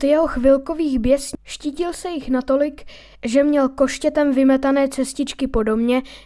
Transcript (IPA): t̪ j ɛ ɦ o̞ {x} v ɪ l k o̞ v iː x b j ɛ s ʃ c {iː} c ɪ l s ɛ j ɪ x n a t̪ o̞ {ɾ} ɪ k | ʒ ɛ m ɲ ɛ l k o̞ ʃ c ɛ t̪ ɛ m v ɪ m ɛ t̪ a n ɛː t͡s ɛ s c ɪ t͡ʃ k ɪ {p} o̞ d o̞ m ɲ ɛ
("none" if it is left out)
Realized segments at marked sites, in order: x, iː, l, p

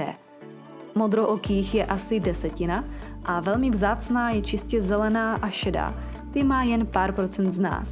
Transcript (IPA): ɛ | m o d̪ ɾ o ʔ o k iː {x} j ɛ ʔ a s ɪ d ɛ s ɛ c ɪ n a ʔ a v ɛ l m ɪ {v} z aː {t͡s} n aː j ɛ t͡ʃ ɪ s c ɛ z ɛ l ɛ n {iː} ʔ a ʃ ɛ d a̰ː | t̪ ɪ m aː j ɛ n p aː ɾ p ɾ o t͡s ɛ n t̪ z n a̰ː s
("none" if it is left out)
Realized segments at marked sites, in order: x, v, t͡s, aː

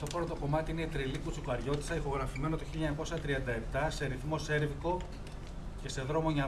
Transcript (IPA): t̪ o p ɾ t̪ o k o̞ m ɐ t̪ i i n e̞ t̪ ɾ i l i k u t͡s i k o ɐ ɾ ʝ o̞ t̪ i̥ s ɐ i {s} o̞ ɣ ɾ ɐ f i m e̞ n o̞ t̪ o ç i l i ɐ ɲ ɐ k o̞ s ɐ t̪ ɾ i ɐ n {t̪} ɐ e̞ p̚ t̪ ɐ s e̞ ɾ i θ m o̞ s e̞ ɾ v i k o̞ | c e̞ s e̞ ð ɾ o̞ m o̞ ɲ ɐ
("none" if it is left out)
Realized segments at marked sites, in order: x, d̪

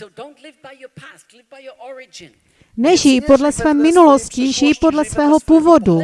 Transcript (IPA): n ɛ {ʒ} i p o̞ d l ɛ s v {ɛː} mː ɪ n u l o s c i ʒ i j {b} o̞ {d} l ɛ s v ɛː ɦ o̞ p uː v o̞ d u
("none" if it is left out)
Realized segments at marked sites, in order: ʒ, ɛː, p, d

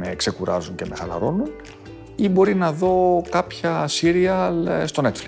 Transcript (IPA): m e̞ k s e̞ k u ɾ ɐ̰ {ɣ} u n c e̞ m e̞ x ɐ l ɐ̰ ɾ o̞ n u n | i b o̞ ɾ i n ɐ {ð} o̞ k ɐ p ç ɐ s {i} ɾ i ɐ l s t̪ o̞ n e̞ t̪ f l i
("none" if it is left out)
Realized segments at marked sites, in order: z, ð, i

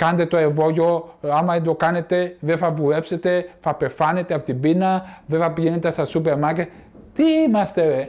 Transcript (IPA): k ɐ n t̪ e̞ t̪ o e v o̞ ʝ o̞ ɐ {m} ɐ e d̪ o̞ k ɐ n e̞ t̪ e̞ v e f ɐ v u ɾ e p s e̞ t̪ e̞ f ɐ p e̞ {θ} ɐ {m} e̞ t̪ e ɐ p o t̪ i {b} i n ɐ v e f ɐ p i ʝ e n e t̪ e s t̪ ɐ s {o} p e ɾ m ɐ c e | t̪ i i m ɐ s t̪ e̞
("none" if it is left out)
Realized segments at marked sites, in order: m, f, n, b, u

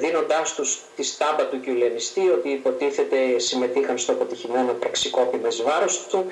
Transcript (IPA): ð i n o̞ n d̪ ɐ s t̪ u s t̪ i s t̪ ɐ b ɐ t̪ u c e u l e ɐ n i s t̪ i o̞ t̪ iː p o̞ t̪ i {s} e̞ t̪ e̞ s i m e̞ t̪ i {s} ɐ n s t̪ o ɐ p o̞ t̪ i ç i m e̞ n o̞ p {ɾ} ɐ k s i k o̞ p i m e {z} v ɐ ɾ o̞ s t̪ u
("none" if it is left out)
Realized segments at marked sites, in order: θ, x, ɾ, z

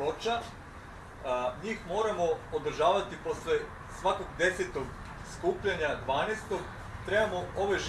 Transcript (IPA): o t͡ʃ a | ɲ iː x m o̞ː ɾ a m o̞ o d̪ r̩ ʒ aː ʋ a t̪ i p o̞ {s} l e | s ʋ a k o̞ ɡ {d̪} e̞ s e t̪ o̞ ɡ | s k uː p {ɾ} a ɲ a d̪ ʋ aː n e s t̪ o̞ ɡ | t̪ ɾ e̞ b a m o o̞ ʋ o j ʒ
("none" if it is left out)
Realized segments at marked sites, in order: s, d̪, ʎ

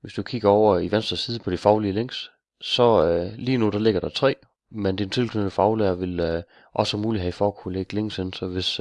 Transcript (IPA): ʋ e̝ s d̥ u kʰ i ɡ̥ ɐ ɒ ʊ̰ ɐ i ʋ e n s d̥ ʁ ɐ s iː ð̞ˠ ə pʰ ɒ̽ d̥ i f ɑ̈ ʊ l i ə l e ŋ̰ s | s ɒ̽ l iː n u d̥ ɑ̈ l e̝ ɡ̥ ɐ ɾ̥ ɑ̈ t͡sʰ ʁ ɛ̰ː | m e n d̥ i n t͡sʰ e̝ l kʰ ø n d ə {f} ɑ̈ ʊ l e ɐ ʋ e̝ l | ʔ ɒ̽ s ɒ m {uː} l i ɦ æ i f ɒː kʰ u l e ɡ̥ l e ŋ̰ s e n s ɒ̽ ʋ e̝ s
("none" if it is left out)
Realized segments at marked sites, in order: f, uː

